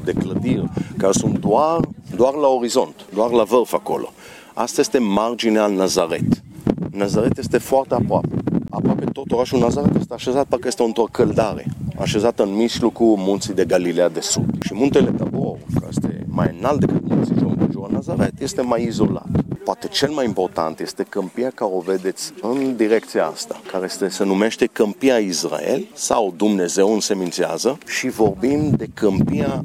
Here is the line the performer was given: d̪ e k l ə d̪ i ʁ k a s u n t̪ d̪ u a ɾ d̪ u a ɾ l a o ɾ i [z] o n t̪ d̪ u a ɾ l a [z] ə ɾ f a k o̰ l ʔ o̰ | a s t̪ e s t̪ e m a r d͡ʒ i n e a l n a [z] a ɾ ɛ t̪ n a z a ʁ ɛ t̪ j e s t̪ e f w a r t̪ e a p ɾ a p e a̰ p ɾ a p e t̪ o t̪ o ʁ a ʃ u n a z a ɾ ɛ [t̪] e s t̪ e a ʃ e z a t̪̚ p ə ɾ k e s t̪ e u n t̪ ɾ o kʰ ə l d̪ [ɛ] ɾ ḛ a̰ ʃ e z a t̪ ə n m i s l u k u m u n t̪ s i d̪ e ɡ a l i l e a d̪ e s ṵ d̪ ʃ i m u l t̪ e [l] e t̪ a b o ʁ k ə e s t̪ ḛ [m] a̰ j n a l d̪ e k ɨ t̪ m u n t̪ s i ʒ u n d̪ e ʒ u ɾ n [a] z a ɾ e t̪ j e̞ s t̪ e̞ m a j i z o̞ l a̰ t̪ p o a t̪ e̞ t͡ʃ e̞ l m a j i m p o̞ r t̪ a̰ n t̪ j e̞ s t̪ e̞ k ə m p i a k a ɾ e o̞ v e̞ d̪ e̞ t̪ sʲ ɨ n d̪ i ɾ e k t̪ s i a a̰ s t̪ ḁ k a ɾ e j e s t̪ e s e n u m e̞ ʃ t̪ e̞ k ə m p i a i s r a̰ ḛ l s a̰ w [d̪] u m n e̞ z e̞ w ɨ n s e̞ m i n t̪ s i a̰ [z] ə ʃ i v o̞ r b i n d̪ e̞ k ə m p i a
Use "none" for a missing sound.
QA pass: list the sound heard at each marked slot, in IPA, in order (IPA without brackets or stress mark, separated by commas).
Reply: z, v, z, t̪, a, l, m, a, d̪, z